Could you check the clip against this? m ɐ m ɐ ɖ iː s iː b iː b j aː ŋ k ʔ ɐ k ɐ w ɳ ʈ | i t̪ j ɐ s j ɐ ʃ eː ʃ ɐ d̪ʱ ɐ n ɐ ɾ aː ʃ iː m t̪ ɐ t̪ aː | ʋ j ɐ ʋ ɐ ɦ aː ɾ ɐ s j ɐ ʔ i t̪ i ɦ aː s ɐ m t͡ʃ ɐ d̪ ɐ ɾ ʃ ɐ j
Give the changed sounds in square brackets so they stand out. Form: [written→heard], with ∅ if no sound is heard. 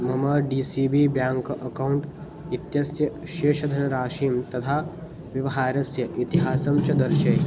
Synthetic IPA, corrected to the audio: m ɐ m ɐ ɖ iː s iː b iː b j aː ŋ k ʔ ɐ k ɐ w ɳ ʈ | i t̪ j ɐ s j ɐ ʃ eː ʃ ɐ d̪ʱ ɐ n ɐ ɾ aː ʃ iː m t̪ ɐ [t̪→t̪ʰ] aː | ʋ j ɐ ʋ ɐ ɦ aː ɾ ɐ s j ɐ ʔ i t̪ i ɦ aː s ɐ m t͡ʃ ɐ d̪ ɐ ɾ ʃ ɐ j